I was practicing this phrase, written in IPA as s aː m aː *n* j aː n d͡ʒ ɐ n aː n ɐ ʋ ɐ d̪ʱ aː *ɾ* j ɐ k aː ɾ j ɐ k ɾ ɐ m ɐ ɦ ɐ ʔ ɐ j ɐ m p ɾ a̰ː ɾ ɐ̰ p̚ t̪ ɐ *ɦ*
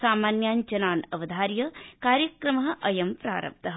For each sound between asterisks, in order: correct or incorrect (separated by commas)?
correct, correct, correct